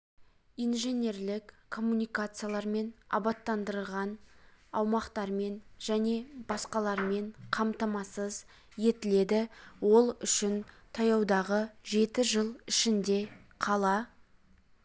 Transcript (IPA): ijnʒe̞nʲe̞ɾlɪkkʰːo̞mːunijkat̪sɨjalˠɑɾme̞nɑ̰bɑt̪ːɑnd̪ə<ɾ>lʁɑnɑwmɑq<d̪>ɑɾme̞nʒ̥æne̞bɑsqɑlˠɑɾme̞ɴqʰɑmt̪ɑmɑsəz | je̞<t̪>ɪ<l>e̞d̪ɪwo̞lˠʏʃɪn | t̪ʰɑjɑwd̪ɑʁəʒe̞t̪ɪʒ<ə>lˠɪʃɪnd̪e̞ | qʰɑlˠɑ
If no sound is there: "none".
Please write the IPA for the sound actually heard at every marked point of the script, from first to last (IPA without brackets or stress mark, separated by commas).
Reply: ɾ, t̪, t̪, l, ə